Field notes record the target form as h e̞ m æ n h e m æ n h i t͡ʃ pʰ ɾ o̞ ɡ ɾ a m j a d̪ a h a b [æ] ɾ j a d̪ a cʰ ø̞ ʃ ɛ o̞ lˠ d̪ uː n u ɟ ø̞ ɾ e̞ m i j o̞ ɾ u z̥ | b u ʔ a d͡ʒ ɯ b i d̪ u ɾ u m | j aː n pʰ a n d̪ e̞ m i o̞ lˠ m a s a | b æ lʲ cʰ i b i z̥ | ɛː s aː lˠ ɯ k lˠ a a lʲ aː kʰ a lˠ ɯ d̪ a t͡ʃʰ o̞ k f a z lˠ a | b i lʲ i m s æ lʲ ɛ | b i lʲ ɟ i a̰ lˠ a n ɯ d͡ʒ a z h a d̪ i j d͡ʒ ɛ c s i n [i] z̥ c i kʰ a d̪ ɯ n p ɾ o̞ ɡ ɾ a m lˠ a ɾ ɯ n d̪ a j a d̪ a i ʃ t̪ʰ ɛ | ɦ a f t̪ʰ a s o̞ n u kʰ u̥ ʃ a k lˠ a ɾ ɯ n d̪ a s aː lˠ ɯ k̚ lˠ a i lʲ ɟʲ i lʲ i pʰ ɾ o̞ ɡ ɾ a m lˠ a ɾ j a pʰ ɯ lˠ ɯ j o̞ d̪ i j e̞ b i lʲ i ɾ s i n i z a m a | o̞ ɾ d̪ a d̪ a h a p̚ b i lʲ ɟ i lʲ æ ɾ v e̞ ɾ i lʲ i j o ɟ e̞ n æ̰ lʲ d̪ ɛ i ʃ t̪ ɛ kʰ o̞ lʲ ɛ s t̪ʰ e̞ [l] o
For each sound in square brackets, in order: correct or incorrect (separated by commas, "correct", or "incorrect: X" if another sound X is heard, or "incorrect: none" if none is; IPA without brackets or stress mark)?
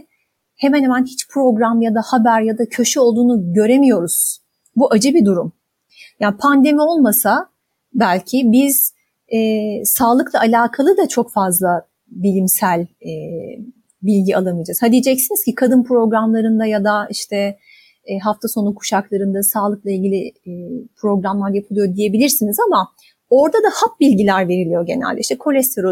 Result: correct, correct, incorrect: ɾ